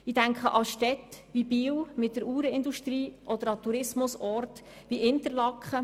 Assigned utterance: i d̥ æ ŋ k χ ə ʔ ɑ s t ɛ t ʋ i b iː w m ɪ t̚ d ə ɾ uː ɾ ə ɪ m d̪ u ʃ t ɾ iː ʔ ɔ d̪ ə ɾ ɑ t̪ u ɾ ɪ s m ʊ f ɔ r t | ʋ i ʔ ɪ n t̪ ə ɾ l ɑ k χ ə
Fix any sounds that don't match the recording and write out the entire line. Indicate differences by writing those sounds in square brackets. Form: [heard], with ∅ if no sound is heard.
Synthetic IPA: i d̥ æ ŋ k χ ə ʔ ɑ [ʃ] t ɛ t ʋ i b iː w m ɪ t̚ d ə ɾ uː ɾ ə ɪ [n] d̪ u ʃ t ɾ iː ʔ ɔ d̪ ə ɾ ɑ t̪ u ɾ ɪ s m ʊ [s] ɔ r t | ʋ i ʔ ɪ n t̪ ə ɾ l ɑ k χ ə